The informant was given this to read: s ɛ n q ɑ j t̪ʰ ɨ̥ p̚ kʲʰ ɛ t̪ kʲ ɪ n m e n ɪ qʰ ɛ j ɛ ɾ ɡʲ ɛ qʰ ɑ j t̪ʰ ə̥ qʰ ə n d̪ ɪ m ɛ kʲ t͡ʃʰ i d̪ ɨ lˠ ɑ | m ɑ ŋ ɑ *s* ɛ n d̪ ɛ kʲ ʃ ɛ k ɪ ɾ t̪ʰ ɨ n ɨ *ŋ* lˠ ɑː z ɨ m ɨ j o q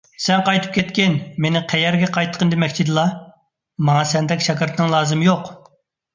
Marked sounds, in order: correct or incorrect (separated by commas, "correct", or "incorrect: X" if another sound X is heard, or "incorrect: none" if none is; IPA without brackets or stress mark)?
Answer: correct, correct